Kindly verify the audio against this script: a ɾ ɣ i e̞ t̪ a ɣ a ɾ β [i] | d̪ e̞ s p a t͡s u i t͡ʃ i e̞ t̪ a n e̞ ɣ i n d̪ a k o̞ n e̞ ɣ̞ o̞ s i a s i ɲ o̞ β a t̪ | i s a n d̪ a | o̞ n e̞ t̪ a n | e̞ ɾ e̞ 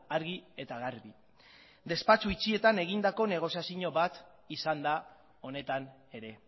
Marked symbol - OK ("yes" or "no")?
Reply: yes